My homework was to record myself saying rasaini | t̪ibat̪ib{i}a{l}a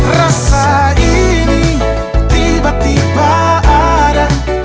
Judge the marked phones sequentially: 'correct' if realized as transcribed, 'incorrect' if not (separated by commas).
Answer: incorrect, incorrect